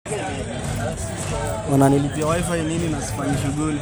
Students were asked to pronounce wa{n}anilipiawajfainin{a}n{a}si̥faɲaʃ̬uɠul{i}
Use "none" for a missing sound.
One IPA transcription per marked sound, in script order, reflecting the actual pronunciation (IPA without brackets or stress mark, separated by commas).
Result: n, i, a, i